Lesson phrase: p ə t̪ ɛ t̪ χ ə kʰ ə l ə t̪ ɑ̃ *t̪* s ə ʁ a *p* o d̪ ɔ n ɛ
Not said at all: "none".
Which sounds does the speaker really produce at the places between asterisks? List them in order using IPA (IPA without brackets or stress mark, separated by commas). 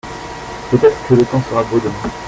none, b